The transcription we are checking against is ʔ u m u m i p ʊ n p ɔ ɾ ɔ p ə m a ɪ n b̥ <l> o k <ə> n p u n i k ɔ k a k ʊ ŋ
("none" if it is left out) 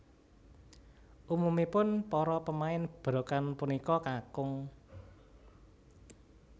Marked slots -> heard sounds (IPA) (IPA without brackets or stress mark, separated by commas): ɾ, a